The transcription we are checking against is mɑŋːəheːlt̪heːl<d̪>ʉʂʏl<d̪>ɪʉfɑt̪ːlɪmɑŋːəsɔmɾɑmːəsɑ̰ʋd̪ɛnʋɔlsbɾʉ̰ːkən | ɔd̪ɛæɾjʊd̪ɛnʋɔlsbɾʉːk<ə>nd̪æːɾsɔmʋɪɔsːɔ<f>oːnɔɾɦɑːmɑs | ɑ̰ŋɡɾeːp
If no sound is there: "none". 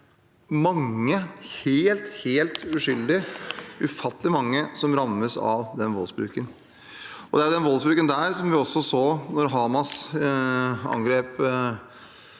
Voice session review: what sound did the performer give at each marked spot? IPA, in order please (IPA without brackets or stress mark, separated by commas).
t̪, d̪, ə, s